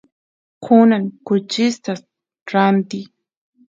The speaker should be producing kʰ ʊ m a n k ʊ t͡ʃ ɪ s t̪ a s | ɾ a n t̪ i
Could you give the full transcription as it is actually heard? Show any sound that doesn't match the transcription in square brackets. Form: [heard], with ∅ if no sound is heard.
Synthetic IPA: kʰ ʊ [n] a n k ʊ t͡ʃ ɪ s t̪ a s | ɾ a n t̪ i